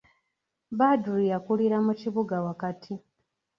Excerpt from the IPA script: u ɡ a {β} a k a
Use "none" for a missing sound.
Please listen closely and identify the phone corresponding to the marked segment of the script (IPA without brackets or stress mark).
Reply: w